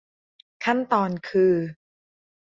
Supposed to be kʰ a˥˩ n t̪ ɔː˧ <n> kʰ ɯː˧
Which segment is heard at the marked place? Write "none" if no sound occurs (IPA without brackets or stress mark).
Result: n